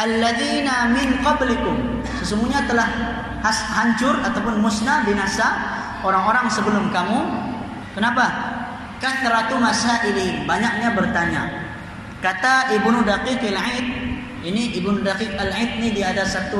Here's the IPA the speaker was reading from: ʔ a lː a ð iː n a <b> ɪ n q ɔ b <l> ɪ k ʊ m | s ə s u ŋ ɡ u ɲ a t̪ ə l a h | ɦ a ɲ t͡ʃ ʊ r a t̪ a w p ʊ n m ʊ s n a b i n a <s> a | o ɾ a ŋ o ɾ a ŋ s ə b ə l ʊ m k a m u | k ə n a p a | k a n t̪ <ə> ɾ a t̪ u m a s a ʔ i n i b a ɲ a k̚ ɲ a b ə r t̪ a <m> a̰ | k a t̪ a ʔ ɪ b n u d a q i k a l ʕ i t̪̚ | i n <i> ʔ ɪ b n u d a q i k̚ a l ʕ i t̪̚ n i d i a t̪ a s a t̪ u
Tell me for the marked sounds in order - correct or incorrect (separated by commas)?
incorrect, correct, correct, correct, incorrect, correct